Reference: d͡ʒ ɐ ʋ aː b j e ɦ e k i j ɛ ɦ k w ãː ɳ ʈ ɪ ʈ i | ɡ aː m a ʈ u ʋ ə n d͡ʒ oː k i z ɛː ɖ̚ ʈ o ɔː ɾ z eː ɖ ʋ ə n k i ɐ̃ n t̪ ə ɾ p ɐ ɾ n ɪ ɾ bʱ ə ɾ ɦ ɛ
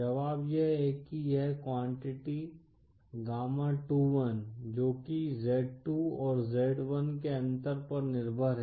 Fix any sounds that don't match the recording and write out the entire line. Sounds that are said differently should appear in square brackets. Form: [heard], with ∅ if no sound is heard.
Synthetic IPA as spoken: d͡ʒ ɐ ʋ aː b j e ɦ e k i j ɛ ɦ k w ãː ɳ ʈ ɪ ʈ i | ɡ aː m a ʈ u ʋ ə n d͡ʒ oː k i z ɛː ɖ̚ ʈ [u] ɔː ɾ z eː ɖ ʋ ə n k [e] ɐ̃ n t̪ ə ɾ p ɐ ɾ n ɪ ɾ bʱ ə ɾ ɦ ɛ